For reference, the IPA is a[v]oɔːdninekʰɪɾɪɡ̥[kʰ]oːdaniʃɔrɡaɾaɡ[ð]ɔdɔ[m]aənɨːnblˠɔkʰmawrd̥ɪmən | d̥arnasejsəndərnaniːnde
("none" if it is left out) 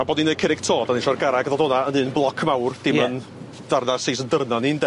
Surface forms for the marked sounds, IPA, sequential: b, tʰ, ð, n

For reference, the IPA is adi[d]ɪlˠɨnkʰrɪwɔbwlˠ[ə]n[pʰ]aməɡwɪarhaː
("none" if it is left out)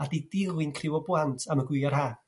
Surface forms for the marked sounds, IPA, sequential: d, a, tʰ

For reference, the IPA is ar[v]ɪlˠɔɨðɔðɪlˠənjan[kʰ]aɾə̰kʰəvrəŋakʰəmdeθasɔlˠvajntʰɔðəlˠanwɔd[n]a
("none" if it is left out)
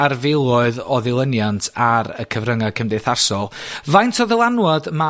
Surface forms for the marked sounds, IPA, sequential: v, tʰ, m

